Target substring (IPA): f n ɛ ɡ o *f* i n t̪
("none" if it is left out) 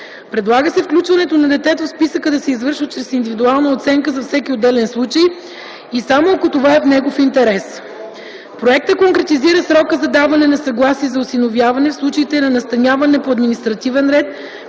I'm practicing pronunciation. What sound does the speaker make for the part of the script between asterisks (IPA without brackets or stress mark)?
f